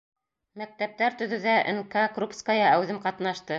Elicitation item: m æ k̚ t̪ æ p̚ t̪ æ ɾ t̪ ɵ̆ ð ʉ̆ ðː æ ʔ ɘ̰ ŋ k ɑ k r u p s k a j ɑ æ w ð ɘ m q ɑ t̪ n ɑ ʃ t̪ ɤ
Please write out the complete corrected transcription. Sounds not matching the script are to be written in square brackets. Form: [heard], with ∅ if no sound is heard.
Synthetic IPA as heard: m æ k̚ t̪ æ p̚ t̪ æ ɾ t̪ ɵ̆ ð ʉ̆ [ð] æ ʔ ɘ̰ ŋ k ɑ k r u p s k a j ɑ æ w ð ɘ m q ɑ t̪ n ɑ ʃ t̪ ɤ